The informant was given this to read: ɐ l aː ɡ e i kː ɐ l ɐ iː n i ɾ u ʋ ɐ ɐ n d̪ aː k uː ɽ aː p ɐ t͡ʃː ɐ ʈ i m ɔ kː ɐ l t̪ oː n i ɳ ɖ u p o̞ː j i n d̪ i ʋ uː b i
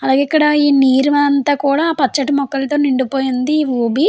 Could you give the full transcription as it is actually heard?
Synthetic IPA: ɐ l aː ɡ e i kː ɐ ɽ ɐ iː n iː ɾ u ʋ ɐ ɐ n t̪ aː k uː ɽ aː p ɐ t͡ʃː ɐ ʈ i m ɔ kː ɐ l t̪ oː n i ɳ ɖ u p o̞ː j i n d̪ i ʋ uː b i